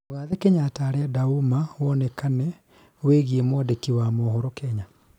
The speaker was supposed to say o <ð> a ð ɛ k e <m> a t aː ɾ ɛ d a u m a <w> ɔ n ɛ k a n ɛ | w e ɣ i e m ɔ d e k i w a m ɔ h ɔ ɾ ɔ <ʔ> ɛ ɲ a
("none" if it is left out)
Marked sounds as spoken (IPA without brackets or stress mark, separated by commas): ɣ, ɲ, w, k